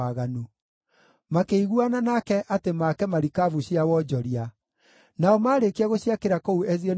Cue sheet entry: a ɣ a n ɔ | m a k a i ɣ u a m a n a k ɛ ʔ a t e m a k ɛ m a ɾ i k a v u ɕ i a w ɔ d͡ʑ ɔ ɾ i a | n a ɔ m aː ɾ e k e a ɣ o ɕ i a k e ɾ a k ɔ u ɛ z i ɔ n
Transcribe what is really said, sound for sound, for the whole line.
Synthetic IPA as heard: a ɣ a n u | m a k e i ɣ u a n a n a k ɛ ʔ a t e m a k ɛ m a ɾ i k a v u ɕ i a w ɔ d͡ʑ ɔ ɾ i a | n a ɔ m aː ɾ e k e a ɣ o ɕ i a k e ɾ a k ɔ u ɛ z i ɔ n